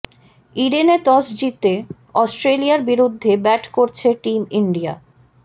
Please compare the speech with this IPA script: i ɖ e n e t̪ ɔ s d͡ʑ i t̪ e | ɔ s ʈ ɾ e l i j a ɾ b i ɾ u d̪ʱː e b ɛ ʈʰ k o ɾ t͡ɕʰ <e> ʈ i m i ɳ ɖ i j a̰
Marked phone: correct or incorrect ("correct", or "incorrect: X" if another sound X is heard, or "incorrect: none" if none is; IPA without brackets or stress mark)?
correct